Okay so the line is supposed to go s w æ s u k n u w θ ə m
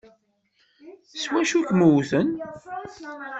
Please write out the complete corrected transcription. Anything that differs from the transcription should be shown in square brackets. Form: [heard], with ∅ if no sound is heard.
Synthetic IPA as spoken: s w æ [ʃ] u k [m] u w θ ə [n]